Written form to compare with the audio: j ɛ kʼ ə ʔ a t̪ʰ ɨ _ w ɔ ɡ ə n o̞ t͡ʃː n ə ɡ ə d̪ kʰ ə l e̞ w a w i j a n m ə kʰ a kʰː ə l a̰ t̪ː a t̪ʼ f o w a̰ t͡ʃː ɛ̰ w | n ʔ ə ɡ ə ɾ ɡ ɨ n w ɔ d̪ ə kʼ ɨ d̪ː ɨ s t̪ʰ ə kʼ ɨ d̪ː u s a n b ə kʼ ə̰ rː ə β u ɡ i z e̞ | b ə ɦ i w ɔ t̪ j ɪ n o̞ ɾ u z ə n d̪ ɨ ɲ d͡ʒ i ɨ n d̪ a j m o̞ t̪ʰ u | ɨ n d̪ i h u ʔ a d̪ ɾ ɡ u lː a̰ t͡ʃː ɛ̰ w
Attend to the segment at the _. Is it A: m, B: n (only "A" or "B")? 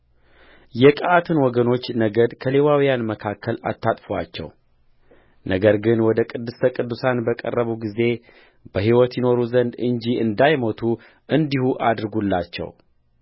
B